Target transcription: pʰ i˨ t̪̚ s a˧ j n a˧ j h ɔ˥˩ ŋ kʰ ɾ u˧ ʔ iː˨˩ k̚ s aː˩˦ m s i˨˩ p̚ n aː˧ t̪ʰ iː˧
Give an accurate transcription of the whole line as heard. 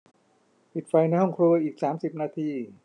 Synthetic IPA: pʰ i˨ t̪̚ f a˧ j n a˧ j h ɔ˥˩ ŋ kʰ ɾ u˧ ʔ iː˨˩ k̚ s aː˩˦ m s i˨˩ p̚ n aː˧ t̪ʰ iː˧